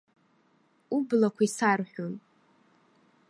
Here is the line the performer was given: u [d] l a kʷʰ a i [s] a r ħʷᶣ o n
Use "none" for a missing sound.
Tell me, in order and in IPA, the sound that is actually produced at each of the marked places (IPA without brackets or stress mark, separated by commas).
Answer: b, s